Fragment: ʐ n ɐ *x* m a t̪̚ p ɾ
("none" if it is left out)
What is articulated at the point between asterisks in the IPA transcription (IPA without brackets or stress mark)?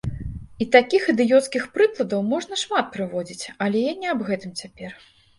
ʂ